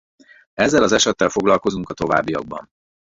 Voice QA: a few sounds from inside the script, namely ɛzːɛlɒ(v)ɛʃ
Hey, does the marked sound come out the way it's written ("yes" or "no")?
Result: no